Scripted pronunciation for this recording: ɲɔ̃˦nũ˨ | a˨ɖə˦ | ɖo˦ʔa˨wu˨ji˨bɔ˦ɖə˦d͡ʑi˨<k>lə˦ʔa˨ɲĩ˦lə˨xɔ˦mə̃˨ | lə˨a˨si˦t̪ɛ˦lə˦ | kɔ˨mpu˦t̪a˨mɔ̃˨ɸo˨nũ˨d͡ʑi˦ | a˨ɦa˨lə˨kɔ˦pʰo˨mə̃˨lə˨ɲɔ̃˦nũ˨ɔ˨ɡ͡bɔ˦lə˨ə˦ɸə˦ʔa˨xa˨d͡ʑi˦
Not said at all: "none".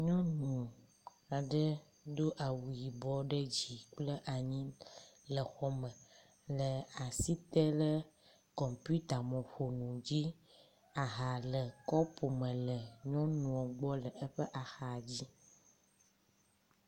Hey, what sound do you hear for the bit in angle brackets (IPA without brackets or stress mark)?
k͡p